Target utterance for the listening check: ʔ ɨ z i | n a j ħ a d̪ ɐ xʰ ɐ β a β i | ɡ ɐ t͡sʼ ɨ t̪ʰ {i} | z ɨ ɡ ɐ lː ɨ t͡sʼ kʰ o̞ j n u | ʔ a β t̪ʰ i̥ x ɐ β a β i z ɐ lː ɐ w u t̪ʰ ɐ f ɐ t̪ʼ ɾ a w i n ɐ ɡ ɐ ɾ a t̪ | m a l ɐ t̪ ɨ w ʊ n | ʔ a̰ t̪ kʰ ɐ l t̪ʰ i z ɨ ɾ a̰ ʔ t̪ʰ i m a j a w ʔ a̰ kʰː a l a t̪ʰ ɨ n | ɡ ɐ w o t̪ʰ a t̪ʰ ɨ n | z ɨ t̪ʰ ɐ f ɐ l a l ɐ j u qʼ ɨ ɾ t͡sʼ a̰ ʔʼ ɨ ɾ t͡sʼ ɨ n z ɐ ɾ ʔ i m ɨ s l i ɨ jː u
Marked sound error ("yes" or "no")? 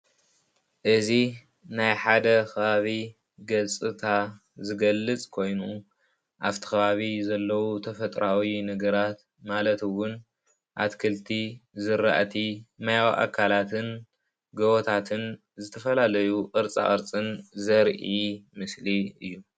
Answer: yes